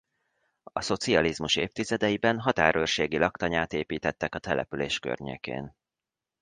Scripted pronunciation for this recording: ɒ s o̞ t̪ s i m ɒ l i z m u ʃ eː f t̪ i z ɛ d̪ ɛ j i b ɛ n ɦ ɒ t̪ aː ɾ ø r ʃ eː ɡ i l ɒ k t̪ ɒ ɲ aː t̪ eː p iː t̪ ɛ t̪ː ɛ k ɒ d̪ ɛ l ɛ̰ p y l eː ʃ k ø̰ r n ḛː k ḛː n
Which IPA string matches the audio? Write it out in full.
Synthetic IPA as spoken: ɒ s o̞ t̪ s i ɒ l i z m u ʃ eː f t̪ i z ɛ d̪ ɛ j i b ɛ n ɦ ɒ t̪ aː ɾ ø r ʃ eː ɡ i l ɒ k t̪ ɒ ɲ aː t̪ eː p iː t̪ ɛ t̪ː ɛ k ɒ t̪ ɛ l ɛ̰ p y l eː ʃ k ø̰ r ɲ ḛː k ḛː n

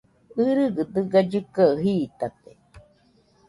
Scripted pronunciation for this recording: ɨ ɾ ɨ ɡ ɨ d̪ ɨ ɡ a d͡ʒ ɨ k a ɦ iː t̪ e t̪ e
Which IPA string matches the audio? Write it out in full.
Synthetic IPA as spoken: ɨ ɾ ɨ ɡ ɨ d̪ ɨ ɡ a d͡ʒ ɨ k a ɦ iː t̪ a t̪ e

